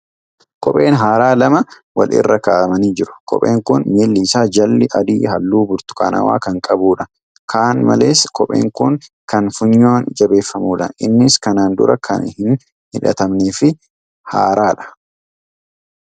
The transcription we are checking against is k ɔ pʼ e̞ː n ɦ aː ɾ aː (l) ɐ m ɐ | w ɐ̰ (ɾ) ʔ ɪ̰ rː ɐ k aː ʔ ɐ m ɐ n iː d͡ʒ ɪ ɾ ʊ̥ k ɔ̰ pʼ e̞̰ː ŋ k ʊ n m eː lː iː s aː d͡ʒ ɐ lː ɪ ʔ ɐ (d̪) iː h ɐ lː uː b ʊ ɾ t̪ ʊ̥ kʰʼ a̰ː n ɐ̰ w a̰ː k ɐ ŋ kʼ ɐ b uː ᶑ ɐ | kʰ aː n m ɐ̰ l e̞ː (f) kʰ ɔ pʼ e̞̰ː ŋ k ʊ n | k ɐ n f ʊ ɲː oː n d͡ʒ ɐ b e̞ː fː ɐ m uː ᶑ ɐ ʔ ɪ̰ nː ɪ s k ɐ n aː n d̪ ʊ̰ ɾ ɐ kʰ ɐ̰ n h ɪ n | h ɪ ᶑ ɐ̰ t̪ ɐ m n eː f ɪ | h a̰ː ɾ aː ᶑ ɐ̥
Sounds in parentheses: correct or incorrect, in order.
correct, incorrect, correct, incorrect

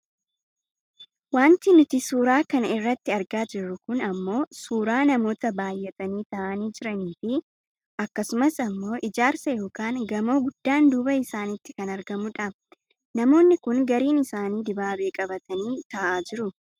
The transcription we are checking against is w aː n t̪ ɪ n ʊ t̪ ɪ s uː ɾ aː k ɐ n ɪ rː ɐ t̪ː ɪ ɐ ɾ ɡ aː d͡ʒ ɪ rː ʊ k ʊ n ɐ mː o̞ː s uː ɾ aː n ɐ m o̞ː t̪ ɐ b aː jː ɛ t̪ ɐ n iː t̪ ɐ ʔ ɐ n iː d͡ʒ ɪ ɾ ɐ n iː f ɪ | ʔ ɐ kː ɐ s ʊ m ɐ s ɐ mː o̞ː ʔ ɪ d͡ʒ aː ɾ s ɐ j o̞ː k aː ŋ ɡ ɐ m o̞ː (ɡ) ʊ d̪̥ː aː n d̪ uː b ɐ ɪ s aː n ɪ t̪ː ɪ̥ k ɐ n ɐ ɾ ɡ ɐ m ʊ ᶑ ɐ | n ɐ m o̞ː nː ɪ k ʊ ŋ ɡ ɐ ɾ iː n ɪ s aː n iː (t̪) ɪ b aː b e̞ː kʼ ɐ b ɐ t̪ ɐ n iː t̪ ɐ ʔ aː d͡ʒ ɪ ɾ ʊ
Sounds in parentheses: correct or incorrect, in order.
correct, incorrect

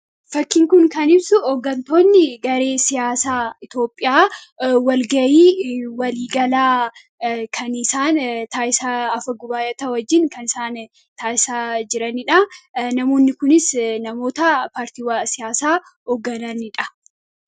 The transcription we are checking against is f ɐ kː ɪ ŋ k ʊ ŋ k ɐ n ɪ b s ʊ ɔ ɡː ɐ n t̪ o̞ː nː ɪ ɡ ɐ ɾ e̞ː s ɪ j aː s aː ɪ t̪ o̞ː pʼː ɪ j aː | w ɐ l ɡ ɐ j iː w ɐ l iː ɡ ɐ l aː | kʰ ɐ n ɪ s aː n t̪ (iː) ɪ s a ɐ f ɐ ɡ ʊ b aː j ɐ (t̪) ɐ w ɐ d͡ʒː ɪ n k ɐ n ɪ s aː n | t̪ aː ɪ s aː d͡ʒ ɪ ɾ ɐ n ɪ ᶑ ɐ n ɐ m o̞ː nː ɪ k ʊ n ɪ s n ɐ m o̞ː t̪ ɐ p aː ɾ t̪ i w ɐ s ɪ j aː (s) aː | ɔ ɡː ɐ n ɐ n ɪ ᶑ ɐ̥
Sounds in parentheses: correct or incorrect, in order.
incorrect, correct, correct

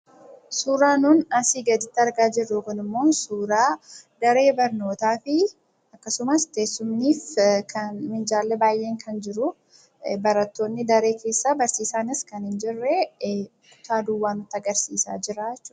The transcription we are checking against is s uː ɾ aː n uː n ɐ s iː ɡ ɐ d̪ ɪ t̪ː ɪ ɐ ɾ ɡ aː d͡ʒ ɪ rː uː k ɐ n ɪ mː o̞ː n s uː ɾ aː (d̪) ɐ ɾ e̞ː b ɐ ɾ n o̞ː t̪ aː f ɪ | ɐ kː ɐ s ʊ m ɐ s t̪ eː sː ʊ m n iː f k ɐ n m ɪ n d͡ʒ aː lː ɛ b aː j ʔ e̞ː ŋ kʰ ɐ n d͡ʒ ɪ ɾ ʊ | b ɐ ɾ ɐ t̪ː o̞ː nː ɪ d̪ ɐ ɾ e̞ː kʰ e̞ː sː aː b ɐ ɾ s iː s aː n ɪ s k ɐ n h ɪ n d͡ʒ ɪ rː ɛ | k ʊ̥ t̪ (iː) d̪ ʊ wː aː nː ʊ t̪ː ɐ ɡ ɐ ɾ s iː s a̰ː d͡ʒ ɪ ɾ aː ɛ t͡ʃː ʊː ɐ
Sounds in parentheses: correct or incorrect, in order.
correct, incorrect

